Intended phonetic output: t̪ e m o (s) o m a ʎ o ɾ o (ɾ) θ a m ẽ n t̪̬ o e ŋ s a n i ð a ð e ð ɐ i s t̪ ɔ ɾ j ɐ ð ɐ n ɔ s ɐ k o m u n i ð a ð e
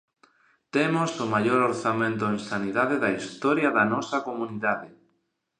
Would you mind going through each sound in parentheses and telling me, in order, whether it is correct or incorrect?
correct, correct

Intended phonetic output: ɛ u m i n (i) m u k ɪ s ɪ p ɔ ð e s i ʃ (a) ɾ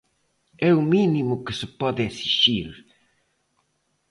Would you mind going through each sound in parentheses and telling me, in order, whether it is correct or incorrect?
correct, incorrect: i

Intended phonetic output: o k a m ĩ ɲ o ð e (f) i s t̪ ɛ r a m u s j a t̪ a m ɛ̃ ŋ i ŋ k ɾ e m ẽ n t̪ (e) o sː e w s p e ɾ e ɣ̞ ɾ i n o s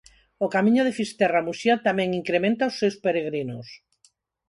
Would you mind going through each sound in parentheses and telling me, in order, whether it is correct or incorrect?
correct, incorrect: a

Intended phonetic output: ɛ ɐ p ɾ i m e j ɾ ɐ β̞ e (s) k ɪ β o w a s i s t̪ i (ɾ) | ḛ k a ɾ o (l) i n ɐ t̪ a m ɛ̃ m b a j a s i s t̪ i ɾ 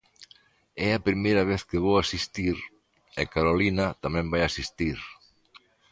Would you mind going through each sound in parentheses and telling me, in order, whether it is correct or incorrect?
incorrect: θ, correct, correct

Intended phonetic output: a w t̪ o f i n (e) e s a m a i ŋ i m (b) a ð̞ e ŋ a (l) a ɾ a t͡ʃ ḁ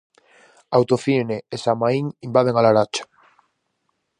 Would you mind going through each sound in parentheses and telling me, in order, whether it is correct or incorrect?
correct, correct, correct

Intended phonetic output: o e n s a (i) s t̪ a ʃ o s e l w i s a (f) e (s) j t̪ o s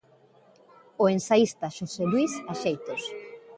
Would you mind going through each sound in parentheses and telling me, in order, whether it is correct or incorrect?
correct, incorrect: ʃ, incorrect: none

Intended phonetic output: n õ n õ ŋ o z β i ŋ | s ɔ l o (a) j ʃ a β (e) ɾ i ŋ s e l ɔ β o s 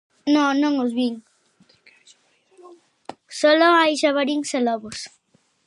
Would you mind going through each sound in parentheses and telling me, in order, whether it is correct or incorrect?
correct, incorrect: a

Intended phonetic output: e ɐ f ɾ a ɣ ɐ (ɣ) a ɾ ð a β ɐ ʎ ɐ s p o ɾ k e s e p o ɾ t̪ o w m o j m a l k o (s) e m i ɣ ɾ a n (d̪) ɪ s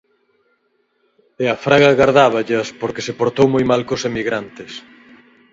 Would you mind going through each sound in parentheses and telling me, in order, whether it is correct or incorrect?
correct, correct, incorrect: t̪

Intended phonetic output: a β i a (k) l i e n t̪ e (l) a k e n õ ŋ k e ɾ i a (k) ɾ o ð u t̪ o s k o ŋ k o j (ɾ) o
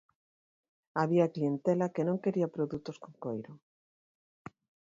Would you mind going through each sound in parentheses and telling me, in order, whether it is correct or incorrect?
correct, correct, incorrect: p, correct

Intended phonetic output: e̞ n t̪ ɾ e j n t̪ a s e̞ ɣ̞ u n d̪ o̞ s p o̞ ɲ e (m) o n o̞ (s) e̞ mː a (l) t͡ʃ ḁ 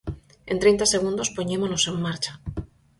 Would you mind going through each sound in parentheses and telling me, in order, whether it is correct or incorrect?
correct, correct, incorrect: ɾ

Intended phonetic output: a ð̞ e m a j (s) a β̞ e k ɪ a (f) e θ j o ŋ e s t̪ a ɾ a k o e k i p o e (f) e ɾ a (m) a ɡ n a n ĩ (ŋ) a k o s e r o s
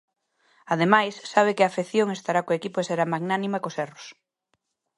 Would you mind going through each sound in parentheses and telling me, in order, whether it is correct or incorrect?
incorrect: sː, correct, incorrect: s, correct, incorrect: m

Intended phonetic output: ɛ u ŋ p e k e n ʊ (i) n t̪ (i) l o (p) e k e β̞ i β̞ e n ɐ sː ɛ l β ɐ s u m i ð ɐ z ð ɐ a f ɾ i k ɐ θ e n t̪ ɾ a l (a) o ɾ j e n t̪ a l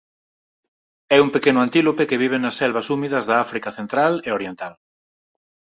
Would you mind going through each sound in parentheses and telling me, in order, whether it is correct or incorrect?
incorrect: a, correct, correct, incorrect: e

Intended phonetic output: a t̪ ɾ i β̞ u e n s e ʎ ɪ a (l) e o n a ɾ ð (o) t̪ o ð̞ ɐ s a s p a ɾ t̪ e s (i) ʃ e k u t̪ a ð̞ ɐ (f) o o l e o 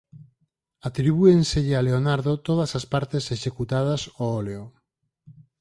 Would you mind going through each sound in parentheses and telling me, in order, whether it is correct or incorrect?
correct, correct, incorrect: e, incorrect: s

